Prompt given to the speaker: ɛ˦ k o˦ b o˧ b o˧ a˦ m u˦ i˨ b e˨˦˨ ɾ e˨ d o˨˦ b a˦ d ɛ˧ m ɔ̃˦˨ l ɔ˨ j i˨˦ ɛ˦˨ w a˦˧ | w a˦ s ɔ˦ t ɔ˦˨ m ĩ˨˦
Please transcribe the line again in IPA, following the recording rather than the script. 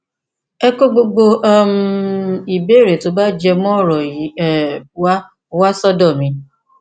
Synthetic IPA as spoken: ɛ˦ k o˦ ɡ͡b o˧ ɡ͡b o˧ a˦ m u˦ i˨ b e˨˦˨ ɾ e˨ t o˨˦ b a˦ d͡ʒ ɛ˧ m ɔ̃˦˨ ɾ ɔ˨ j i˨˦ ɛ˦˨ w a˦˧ | w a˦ s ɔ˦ d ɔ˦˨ m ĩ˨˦

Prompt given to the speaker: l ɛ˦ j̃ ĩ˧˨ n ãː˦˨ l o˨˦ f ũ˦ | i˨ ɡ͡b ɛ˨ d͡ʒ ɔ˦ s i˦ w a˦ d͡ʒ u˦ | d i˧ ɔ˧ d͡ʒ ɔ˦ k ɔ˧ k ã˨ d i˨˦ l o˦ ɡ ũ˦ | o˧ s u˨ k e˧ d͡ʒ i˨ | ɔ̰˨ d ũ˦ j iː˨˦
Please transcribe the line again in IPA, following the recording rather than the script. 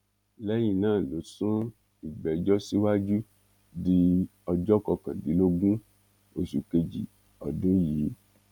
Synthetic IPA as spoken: l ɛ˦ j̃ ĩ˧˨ n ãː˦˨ l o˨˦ s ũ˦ | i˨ ɡ͡b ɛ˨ d͡ʒ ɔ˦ s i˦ w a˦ d͡ʒ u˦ | d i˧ ɔ˧ d͡ʒ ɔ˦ k ɔ˧ k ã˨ d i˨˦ l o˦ ɡ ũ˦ | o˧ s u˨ k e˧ d͡ʒ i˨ | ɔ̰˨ d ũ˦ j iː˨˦

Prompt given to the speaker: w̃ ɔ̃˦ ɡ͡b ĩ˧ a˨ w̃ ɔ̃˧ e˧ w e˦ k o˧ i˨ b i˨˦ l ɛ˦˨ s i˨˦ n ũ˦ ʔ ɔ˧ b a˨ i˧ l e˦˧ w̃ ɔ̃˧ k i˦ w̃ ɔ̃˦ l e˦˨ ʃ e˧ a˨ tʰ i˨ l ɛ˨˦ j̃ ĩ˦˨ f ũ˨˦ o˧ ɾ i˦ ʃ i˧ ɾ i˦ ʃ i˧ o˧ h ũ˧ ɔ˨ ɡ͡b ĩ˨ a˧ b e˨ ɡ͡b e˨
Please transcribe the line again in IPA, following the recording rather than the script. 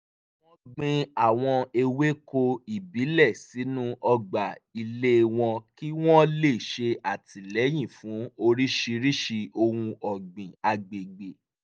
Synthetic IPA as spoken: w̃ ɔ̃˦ ɡ͡b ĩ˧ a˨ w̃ ɔ̃˧ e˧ w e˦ k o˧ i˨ b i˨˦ l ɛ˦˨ s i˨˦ n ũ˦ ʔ ɔ˧ ɡ͡b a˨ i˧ l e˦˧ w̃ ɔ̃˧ k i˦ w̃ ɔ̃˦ l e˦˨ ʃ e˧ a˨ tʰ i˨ l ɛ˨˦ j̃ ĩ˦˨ f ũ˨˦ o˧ ɾ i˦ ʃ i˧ ɾ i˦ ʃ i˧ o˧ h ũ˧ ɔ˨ ɡ͡b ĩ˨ a˧ ɡ͡b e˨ ɡ͡b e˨

